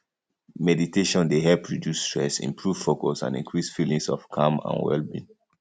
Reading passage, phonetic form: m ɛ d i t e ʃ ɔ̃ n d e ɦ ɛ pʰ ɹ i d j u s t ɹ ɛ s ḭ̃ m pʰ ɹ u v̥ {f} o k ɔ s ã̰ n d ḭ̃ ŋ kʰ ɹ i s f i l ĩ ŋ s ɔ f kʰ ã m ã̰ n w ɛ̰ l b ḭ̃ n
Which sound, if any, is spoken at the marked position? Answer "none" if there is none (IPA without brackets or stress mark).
f